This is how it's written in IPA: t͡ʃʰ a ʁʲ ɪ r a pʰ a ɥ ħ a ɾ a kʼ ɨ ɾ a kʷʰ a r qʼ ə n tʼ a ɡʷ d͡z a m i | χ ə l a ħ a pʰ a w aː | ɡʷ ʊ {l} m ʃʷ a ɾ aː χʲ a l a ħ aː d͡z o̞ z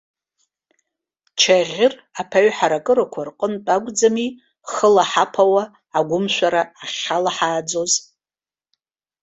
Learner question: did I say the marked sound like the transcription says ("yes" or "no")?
no